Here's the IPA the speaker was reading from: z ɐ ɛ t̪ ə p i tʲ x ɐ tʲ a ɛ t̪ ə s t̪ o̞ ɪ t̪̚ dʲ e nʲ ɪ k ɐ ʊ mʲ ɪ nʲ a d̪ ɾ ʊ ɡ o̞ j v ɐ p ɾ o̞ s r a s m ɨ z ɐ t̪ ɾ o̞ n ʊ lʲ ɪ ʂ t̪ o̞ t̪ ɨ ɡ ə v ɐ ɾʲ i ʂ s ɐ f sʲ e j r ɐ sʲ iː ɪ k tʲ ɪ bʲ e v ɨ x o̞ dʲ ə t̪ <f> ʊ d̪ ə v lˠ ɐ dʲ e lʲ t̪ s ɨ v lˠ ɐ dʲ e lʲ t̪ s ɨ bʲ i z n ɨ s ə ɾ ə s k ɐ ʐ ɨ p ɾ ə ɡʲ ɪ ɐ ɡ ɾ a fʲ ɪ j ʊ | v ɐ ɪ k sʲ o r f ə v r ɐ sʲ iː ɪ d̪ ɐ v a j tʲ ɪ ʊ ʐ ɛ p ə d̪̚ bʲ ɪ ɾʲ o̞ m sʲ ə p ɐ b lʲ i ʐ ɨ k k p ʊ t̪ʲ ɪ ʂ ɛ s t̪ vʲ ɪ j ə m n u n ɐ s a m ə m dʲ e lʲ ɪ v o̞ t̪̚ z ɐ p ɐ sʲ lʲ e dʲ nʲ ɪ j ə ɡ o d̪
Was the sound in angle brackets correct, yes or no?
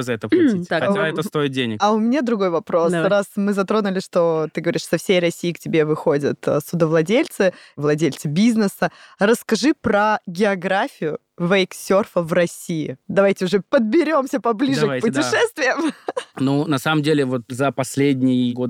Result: no